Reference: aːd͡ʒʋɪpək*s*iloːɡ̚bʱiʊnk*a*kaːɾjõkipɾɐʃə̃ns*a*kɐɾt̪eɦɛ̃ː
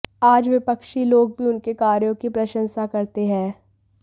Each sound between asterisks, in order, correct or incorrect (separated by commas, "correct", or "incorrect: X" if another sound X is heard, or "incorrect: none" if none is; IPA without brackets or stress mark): incorrect: ʃ, incorrect: e, correct